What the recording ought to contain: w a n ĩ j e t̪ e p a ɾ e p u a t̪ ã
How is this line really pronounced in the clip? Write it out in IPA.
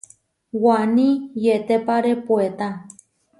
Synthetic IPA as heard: w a n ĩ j e t̪ e p a ɾ e p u e t̪ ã